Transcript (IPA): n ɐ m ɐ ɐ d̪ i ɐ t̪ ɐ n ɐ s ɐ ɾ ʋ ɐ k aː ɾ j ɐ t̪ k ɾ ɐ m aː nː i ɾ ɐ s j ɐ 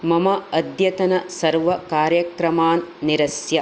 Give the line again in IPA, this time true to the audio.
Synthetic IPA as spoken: m ɐ m ɐ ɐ d̪ j ɐ t̪ ɐ n ɐ s ɐ ɾ ʋ ɐ k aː ɾ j ɐ k ɾ ɐ m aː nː i ɾ ɐ s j ɐ